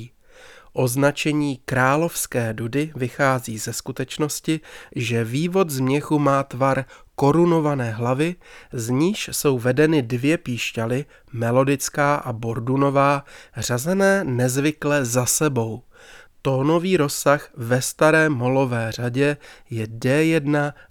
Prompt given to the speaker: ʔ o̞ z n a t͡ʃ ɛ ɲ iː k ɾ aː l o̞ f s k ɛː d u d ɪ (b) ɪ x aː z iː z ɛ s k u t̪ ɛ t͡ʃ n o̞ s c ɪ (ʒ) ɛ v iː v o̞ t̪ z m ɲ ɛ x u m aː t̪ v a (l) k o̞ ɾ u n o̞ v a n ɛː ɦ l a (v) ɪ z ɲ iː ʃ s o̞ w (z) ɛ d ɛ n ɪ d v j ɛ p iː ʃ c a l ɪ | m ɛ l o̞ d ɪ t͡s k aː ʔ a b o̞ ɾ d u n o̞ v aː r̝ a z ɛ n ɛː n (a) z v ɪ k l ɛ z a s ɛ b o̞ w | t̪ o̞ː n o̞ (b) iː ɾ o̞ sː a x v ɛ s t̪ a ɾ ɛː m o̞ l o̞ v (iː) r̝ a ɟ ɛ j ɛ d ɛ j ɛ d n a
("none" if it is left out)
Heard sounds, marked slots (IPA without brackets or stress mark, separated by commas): v, ʒ, ɾ, v, v, ɛ, v, ɛː